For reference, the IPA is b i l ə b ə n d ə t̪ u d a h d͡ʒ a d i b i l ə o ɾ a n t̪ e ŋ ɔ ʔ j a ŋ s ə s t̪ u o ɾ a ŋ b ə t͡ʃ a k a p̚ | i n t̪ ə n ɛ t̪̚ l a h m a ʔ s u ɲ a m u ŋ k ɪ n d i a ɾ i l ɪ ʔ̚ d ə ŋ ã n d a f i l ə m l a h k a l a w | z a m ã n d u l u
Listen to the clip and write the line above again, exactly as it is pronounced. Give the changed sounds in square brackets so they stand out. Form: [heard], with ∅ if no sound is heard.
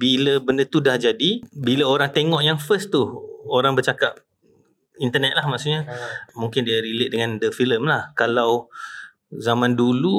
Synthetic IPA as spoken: b i l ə b ə n d ə t̪ u d a h d͡ʒ a d i b i l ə o ɾ a [ŋ] t̪ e ŋ ɔ ʔ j a ŋ [f] ə s t̪ u o ɾ a ŋ b ə t͡ʃ a k a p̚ | i n t̪ ə n ɛ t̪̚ l a h m a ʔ s u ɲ a m u ŋ k ɪ n d i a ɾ i l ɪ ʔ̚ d ə ŋ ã n d [ə] f i l ə m l a h k a l a w | z a m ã n d u l u